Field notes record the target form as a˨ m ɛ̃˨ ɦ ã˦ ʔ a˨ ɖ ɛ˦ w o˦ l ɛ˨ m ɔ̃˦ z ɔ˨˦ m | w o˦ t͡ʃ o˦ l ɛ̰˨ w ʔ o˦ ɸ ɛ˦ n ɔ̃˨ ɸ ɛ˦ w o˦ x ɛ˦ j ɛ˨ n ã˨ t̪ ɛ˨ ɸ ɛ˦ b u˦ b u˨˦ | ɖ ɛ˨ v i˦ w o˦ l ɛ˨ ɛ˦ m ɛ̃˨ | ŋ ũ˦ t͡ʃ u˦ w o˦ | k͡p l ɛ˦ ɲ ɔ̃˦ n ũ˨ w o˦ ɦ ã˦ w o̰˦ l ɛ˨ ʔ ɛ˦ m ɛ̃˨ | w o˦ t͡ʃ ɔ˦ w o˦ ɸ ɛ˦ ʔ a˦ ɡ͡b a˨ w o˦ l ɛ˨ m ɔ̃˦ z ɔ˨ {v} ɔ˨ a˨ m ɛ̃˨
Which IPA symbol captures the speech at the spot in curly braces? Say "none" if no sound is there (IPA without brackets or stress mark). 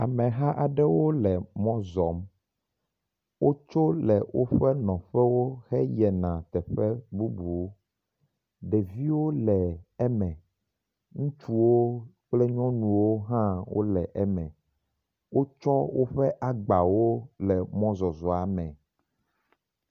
z